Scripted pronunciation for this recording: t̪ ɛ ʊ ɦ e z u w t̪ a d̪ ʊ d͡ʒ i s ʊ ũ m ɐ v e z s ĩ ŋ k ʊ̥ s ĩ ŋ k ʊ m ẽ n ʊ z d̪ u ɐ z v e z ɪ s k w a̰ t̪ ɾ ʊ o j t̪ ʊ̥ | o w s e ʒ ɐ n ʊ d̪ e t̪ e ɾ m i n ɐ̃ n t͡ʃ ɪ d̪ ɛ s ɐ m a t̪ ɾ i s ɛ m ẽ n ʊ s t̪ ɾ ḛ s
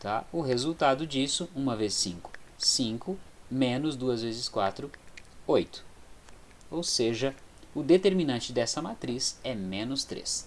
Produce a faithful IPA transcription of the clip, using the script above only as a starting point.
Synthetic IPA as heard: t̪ a ʊ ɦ e z u w t̪ a d̪ ʊ d͡ʒ i s ʊ ũ m ɐ v e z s ĩ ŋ k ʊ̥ s ĩ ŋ k ʊ m ẽ n ʊ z d̪ u ɐ z v e z ɪ s k w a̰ t̪ ɾ ʊ o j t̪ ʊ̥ | o w s e ʒ ɐ ʊ d̪ e t̪ e ɾ m i n ɐ̃ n t͡ʃ ɪ d̪ ɛ s ɐ m a t̪ ɾ i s ɛ m ẽ n ʊ s t̪ ɾ ḛ s

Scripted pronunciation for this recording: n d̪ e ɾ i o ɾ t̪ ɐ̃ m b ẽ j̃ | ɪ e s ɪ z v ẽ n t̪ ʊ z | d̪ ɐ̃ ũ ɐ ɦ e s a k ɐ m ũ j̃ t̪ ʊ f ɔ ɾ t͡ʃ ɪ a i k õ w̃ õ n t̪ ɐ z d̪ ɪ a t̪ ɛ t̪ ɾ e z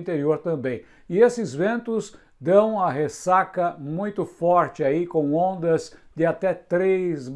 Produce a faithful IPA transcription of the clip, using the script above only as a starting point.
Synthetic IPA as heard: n t̪ e ɾ i o ɾ t̪ ɐ̃ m b ẽ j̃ | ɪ e s ɪ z v ẽ n t̪ ʊ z | d̪ ɐ̃ w̃ ɐ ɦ e s a k ɐ m ũ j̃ t̪ ʊ f ɔ ɾ t͡ʃ ɪ a i k õ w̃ õ n d̪ ɐ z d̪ ɪ a t̪ ɛ t̪ ɾ e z

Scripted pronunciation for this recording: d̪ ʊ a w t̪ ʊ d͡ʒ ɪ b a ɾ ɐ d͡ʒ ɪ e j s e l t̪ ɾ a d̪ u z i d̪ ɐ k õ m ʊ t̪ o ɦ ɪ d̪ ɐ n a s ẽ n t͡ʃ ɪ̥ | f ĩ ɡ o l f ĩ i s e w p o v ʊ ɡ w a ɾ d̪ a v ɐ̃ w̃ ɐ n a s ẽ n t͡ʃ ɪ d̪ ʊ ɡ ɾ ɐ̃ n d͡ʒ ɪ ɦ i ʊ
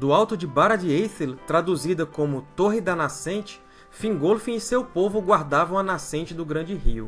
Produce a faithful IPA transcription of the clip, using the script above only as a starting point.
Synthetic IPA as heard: d̪ ʊ a w t̪ ʊ d͡ʒ ɪ b a ɾ ɐ d͡ʒ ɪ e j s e l t̪ ɾ a d̪ u z i d̪ ɐ k õ m ʊ t̪ o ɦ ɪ d̪ ɐ n a s ẽ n t͡ʃ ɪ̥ | f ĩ ɡ o l f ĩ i s e w p o v ʊ ɡ w a ɾ d̪ a v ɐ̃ w̃ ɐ n a s ẽ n t͡ʃ ɪ d̪ ʊ ɡ ɾ ɐ̃ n d͡ʒ ɪ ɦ i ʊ

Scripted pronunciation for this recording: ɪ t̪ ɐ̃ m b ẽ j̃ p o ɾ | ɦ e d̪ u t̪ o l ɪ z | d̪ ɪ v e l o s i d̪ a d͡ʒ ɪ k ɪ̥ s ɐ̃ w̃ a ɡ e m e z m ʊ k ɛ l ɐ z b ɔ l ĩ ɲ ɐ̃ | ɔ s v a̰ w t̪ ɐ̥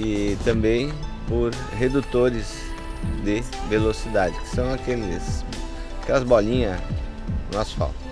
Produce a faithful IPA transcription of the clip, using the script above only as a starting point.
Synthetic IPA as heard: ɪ t̪ ɐ̃ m b ẽ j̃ p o ɾ | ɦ e d̪ u t̪ o ɾ ɪ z | d̪ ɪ v e l o s i d̪ a d͡ʒ ɪ k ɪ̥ s ɐ̃ w̃ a k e m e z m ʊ k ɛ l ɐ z b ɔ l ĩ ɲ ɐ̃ | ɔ s f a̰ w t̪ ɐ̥

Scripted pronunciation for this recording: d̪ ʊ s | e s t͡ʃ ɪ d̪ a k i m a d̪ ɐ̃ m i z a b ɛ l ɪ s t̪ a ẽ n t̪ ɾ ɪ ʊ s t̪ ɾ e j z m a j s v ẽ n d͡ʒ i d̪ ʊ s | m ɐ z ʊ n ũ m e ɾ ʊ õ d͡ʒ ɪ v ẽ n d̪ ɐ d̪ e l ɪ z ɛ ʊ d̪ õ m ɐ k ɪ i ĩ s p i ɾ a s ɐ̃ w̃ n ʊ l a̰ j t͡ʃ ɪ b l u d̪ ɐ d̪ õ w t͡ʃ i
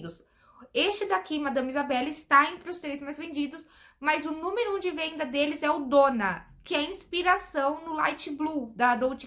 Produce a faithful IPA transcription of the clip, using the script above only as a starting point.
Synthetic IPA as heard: d̪ ʊ s | e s t͡ʃ ɪ d̪ a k i m a d̪ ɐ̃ m i z a b ɛ l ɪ s t̪ a ẽ n t̪ ɾ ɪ ʊ s t̪ ɾ e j z m a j z v ẽ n d͡ʒ i d̪ ʊ s | m ɐ z ʊ n ũ m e ɾ ʊ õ d͡ʒ ɪ v ẽ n d̪ ɐ d̪ e l ɪ z ɛ ʊ d̪ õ n ɐ k ɪ ɛ ĩ s p i ɾ a s ɐ̃ w̃ n ʊ l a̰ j t͡ʃ ɪ b l u d̪ ɐ d̪ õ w t͡ʃ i

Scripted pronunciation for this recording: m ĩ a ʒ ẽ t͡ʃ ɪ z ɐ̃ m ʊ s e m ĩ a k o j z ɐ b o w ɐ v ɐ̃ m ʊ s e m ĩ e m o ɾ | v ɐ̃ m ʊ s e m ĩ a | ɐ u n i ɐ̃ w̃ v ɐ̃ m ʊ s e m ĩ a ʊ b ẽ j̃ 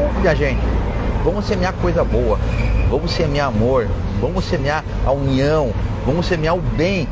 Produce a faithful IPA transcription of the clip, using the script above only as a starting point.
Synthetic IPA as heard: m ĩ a ʒ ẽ t͡ʃ ɪ v ɐ̃ m ʊ s e m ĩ a k o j z ɐ b o w ɐ v ɐ̃ m ʊ s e m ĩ a m o ɾ | v ɐ̃ m ʊ s e m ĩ a | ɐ u n i ɐ̃ w̃ v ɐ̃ m ʊ s e m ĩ a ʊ b ẽ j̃

